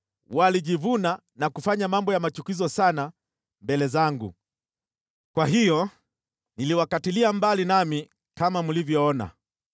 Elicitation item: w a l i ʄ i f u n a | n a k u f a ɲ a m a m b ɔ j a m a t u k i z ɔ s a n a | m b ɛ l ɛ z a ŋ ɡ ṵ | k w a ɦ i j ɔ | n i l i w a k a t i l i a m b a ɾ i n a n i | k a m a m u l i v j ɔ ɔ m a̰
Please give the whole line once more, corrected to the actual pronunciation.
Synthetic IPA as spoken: w a l i ʄ i v u n a | n a k u f a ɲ a m a m b ɔ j a m a t͡ʃ u k i z ɔ s a n a | m b ɛ l ɛ z a ŋ ɡ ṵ | k w a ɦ i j ɔ | n i l i w a k a t i l i a m b a l i n a m i | k a m a m u l i v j ɔ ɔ n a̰